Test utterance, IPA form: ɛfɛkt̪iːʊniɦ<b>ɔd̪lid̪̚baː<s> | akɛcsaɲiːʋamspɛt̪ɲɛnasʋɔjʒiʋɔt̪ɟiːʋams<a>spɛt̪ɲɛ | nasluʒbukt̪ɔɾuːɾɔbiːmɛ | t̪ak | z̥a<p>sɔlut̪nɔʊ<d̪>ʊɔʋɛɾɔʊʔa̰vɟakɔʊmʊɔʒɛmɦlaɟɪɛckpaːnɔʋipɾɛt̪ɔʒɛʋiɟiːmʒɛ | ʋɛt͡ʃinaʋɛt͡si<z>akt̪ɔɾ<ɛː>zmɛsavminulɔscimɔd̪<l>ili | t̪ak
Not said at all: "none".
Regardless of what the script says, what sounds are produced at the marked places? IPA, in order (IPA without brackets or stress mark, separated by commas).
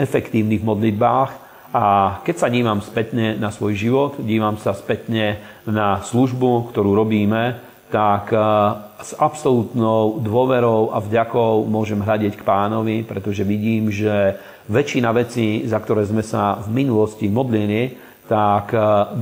m, x, a, p, d̪, z, ɛː, l